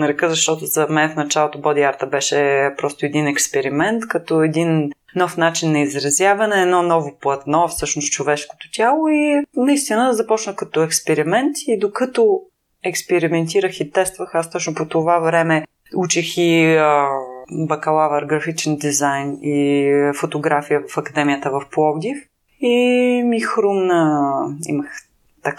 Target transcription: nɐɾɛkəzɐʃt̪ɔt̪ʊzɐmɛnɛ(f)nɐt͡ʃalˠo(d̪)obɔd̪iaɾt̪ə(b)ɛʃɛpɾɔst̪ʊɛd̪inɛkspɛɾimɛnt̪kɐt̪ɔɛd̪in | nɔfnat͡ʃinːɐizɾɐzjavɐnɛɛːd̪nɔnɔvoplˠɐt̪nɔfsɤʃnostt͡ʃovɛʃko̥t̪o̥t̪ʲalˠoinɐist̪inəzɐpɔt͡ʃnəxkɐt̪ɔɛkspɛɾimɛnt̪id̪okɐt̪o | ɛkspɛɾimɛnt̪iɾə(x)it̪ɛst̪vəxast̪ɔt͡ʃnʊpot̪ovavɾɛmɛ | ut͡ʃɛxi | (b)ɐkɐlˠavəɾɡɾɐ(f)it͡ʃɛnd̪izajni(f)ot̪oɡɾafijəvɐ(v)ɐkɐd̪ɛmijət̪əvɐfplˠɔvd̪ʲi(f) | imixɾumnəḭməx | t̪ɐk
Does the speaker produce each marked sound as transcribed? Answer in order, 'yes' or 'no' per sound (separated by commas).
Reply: yes, no, yes, yes, yes, yes, yes, no, yes